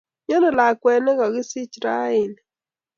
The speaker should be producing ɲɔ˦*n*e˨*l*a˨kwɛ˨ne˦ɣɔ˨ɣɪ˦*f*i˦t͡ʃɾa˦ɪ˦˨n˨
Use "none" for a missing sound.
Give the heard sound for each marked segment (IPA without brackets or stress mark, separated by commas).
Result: n, l, s